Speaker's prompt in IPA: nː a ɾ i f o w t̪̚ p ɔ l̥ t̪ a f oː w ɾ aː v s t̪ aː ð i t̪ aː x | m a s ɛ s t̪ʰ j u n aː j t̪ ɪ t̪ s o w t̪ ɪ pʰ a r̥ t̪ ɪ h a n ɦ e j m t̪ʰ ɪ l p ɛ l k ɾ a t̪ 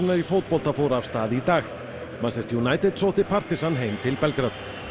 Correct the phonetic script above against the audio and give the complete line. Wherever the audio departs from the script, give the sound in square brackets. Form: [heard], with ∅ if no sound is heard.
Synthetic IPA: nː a ɾ i f o w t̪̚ p ɔ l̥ t̪ a f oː w ɾ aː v s t̪ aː ð i t̪ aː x | m a s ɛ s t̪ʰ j u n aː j t̪ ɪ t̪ s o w t̪ ɪ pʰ a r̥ t̪ ɪ [s] a n ɦ e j m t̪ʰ ɪ l p ɛ l k ɾ a t̪